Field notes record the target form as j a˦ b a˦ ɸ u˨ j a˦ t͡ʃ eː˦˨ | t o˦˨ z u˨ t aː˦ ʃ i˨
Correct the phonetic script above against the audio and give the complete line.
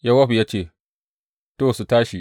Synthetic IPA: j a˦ w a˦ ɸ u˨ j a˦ t͡ʃ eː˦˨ | t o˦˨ s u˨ t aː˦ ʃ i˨